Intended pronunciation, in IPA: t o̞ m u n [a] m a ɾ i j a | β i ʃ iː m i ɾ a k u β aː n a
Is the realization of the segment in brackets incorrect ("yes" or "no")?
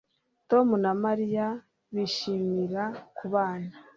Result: no